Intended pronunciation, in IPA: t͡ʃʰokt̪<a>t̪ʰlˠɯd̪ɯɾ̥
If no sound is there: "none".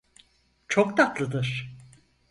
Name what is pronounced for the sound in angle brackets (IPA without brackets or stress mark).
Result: a